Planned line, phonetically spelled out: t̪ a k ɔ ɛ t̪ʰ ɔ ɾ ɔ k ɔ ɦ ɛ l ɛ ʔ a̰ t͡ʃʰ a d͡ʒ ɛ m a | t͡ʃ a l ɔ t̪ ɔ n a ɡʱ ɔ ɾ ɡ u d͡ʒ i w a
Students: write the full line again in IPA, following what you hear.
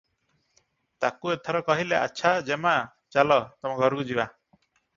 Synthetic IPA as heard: t̪ a k u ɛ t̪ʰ ɔ ɾ ɔ k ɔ ɦ i l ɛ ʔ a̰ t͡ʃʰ a d͡ʒ ɛ m a | t͡ʃ a l ɔ t̪ ɔ m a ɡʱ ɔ ɾ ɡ u d͡ʒ i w a